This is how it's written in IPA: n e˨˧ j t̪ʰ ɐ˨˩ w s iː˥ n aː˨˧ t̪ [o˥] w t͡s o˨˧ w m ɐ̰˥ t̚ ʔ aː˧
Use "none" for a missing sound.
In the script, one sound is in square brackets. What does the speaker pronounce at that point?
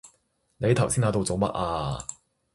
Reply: o˧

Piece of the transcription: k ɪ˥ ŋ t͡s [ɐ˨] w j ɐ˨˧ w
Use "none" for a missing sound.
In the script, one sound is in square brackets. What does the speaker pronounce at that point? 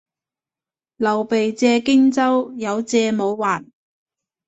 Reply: ɐ˥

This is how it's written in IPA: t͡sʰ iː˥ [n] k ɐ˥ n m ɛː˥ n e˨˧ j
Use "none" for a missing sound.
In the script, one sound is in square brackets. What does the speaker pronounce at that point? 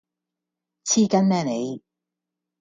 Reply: none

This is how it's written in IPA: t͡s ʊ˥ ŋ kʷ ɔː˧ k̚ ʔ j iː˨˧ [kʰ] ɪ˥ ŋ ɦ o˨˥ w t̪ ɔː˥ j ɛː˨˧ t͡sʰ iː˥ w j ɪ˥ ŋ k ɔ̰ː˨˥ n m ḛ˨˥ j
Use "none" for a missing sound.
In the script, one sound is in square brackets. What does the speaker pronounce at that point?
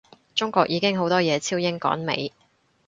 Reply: k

